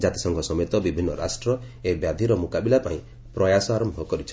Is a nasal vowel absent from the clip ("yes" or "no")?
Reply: no